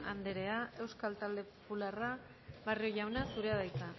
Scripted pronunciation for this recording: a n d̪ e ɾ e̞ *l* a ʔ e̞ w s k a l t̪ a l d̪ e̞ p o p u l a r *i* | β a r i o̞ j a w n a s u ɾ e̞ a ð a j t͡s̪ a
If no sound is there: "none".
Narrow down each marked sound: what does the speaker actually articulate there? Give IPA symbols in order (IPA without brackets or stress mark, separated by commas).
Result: none, a